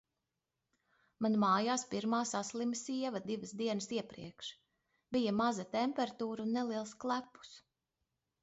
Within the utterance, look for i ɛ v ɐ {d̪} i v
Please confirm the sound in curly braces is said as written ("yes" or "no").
yes